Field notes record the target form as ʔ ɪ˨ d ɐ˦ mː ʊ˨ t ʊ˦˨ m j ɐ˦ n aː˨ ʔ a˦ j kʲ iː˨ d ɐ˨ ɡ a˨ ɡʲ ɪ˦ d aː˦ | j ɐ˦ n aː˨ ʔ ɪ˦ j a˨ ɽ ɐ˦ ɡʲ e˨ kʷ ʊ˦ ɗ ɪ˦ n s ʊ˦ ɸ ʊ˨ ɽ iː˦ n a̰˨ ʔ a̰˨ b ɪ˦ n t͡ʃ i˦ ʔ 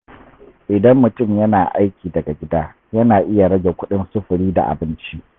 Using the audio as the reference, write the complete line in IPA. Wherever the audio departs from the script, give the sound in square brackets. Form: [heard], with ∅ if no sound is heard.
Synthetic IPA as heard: ʔ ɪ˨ d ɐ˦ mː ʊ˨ t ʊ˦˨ m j ɐ˦ n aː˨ ʔ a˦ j kʲ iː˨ d ɐ˨ ɡ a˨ ɡʲ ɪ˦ d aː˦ | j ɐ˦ n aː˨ ʔ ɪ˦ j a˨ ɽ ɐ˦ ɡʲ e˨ kʷ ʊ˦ ɗ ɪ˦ n s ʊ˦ ɸ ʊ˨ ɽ iː˦ [d] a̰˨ ʔ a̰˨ b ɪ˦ n t͡ʃ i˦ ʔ